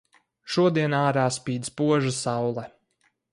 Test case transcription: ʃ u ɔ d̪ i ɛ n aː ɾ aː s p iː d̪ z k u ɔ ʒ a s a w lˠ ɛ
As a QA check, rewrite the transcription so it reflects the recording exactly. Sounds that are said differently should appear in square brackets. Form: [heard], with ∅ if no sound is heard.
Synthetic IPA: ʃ u ɔ d̪ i ɛ n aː ɾ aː s p iː d̪ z [p] u ɔ ʒ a s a w lˠ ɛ